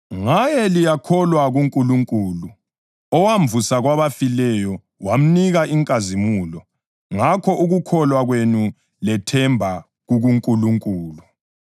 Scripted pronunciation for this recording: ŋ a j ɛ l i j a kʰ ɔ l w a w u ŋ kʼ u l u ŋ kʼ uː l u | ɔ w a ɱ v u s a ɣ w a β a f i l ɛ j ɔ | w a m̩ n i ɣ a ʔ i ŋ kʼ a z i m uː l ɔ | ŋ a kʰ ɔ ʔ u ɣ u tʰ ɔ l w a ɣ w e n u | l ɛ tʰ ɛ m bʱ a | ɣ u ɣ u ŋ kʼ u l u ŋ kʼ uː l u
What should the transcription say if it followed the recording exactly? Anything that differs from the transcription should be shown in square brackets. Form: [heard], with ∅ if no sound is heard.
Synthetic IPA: ŋ a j ɛ l i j a kʰ ɔ l w a [ɣ] u ŋ kʼ u l u ŋ kʼ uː l u | ɔ w a ɱ v u s a ɣ w a β a f i l ɛ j ɔ | w a m̩ n i ɣ a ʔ i ŋ kʼ a z i m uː l ɔ | ŋ a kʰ ɔ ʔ u ɣ u [kʰ] ɔ l w a ɣ w e n u | l ɛ tʰ ɛ m bʱ a | ɣ u ɣ u ŋ kʼ u l u ŋ kʼ uː l u